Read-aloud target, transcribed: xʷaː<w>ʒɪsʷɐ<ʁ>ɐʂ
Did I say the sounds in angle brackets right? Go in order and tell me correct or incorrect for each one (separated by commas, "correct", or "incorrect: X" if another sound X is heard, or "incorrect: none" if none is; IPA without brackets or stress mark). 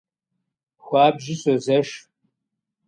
incorrect: b, incorrect: z